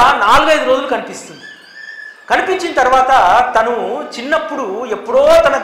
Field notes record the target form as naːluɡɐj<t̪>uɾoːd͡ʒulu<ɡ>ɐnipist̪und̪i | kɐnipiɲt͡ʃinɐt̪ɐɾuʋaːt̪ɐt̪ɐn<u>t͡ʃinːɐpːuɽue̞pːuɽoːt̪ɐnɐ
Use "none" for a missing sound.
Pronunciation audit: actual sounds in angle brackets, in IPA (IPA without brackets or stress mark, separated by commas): d̪, k, u